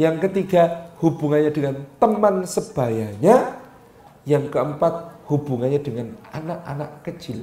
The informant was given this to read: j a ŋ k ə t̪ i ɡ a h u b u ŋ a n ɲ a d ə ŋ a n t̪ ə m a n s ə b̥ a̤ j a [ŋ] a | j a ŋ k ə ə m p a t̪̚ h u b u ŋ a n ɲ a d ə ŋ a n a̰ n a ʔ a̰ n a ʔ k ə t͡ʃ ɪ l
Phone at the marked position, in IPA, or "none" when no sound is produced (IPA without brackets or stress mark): ɲ